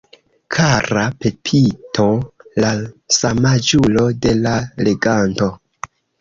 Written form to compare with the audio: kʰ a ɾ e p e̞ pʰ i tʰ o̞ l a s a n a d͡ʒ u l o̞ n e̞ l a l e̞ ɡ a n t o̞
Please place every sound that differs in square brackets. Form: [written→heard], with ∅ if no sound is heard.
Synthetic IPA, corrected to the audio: kʰ a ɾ [e→a] p e̞ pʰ i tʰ o̞ l a s a [n→m] a d͡ʒ u l o̞ [n→d] e̞ l a l e̞ ɡ a n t o̞